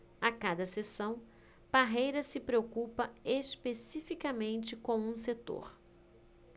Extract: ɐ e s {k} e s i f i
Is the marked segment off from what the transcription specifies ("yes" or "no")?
yes